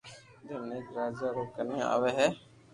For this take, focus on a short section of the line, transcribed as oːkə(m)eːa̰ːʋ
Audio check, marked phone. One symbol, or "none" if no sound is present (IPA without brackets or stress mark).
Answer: n